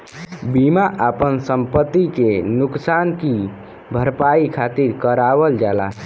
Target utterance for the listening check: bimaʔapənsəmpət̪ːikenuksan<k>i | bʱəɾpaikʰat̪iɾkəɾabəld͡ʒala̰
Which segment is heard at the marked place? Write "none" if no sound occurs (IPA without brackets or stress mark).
k